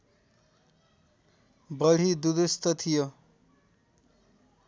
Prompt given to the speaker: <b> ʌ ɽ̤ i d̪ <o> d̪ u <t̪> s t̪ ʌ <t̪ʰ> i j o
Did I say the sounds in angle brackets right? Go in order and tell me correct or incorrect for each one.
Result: correct, incorrect: u, incorrect: none, correct

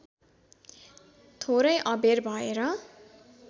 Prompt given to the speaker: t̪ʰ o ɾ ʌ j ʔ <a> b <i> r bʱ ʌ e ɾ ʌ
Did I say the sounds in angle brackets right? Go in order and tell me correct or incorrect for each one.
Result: incorrect: ʌ, incorrect: e

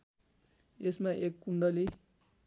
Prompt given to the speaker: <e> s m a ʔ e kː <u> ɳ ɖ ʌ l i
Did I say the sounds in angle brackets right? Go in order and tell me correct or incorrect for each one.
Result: correct, correct

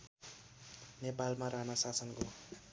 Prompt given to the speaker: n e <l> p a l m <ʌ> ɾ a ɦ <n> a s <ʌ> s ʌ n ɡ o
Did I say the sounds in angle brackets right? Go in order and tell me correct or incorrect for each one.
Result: incorrect: none, incorrect: a, correct, incorrect: a

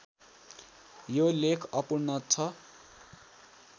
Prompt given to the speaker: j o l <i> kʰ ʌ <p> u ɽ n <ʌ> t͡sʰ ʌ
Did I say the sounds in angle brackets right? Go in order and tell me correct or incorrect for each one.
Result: incorrect: e, correct, correct

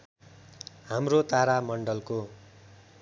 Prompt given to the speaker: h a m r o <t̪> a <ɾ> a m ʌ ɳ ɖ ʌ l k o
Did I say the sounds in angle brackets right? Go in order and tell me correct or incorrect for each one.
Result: correct, correct

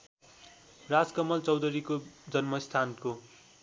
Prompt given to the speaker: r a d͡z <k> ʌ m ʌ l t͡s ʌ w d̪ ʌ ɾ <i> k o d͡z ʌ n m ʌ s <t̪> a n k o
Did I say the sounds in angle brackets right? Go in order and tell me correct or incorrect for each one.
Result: correct, correct, incorrect: t̪ʰ

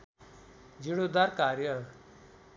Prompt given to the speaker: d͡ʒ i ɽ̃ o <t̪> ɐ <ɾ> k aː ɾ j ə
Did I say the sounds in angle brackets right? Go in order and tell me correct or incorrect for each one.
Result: incorrect: d̪, correct

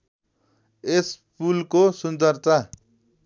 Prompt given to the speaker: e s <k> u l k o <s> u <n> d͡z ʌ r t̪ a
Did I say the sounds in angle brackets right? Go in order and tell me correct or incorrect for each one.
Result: incorrect: p, correct, correct

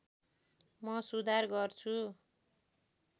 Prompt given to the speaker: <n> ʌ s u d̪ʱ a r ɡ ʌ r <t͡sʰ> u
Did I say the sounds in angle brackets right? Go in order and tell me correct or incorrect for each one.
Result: incorrect: m, correct

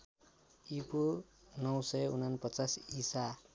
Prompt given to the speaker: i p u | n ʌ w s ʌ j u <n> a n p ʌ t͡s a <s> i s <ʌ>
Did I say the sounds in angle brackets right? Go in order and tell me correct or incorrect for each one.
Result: correct, correct, incorrect: a

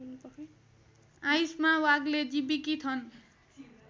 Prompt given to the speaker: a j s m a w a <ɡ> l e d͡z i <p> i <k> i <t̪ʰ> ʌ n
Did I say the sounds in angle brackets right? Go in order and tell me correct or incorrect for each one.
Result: correct, incorrect: b, correct, correct

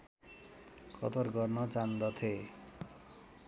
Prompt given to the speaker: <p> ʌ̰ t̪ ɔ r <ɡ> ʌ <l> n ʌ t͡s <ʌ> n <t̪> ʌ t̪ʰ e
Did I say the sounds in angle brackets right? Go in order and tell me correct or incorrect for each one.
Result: incorrect: k, correct, incorrect: r, incorrect: a, incorrect: d̪

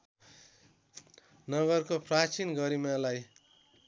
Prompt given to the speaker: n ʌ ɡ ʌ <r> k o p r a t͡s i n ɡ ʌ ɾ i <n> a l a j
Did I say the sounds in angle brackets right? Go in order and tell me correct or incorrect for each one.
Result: correct, incorrect: m

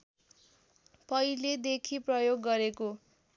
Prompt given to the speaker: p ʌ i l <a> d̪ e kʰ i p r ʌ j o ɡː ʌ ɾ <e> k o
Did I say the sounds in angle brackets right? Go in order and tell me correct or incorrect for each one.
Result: incorrect: e, correct

